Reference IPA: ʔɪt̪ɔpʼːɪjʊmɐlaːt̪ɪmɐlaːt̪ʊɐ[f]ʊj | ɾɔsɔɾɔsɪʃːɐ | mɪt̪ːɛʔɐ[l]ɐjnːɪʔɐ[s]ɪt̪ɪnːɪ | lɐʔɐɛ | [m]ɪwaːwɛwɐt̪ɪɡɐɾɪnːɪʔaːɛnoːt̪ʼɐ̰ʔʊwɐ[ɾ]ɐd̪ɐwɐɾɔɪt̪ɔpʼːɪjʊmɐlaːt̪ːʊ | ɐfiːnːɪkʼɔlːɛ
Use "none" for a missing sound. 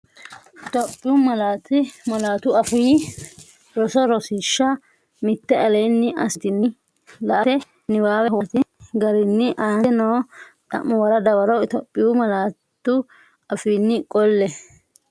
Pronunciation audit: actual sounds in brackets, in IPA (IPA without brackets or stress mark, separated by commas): f, l, s, n, ɾ